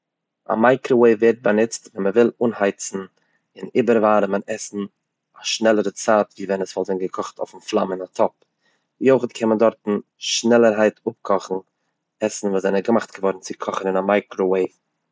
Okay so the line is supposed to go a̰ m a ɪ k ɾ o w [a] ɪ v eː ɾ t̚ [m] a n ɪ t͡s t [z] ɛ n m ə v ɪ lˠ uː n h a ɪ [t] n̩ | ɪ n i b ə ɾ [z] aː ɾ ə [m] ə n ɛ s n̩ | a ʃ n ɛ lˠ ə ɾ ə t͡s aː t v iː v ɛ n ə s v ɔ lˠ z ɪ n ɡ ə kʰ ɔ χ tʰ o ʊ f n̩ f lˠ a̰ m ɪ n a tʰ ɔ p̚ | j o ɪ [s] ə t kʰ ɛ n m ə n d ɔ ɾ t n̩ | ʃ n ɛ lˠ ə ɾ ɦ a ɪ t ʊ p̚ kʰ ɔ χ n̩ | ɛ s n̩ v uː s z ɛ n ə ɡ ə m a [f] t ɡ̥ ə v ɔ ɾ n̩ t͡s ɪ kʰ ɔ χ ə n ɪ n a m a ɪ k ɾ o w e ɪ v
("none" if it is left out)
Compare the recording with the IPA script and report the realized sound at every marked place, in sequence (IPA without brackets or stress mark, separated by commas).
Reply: e, b, v, t͡s, v, m, χ, χ